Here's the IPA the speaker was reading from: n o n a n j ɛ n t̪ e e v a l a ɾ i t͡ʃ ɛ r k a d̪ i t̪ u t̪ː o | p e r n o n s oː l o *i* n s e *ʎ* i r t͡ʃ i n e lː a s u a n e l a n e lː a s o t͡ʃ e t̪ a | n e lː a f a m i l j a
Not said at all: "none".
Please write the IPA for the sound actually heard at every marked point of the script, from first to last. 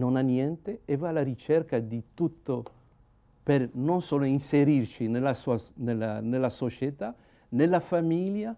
i, ɾ

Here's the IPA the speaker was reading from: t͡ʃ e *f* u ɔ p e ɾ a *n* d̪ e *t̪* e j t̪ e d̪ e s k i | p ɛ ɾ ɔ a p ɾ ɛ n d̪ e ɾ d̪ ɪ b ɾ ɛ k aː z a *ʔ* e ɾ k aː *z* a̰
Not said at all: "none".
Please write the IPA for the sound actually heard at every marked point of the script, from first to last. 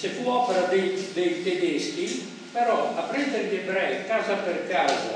f, none, d̪, p, z

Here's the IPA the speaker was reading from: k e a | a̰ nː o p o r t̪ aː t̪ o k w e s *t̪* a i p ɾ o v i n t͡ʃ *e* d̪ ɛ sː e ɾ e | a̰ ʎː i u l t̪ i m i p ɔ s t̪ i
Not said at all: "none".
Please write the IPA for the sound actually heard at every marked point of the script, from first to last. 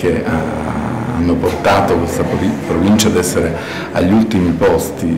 t̪, a

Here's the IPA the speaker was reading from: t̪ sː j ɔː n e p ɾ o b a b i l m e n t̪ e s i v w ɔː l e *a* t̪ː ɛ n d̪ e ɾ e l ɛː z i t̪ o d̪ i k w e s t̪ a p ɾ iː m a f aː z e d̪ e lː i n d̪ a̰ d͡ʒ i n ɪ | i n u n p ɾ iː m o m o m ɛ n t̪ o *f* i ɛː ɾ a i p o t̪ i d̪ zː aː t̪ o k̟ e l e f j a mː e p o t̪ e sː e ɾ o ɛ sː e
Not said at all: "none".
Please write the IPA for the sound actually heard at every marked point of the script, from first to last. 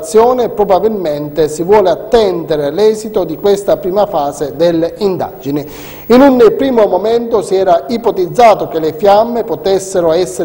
a, s

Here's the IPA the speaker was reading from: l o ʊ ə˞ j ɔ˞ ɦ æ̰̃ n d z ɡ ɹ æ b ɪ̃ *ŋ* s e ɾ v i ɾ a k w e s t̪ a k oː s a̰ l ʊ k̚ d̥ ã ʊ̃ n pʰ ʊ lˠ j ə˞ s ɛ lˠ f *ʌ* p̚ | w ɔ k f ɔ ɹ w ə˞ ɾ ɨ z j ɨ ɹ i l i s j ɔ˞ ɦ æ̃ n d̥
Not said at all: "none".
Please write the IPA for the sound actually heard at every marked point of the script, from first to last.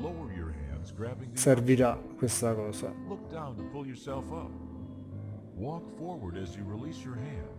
ŋ, ʌ

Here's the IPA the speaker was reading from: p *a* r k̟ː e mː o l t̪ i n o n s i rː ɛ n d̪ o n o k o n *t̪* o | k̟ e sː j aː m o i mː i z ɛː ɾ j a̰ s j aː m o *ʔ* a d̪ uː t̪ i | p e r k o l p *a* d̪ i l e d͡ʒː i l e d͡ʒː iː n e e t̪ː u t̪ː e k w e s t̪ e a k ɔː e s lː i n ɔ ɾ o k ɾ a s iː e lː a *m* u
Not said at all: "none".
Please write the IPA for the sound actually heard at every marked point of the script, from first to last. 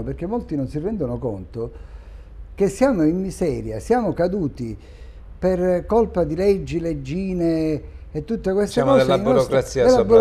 e, t̪, k, a, b

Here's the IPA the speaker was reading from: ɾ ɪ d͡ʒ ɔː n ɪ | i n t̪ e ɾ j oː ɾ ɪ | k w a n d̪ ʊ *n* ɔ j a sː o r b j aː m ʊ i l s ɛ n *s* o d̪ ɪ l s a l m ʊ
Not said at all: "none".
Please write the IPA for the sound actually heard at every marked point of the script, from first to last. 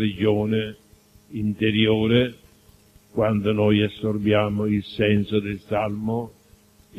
n, s

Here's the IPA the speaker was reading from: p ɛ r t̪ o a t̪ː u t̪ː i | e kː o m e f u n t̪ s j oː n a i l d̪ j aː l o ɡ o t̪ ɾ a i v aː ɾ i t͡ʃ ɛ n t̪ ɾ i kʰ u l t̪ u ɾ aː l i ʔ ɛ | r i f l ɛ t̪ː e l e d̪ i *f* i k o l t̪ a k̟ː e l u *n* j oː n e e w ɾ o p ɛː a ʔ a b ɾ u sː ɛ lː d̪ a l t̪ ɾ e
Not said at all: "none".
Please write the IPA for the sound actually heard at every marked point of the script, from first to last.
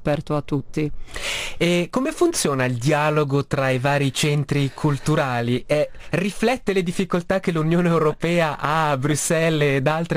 fː, n

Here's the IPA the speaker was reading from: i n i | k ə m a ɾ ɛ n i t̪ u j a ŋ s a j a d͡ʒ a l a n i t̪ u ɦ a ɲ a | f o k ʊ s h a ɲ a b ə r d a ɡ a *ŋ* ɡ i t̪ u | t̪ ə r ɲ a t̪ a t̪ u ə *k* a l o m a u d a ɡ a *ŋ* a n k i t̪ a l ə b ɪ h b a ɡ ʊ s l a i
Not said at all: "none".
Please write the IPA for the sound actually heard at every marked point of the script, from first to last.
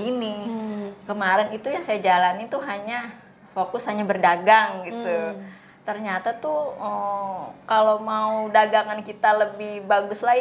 ŋ, k, ŋ

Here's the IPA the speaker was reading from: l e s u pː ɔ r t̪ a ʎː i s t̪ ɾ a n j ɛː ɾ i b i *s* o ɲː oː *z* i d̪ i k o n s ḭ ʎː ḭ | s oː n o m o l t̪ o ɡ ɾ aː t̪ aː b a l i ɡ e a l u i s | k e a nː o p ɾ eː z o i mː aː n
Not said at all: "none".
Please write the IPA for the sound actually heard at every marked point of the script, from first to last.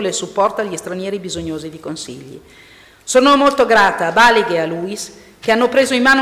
z, z

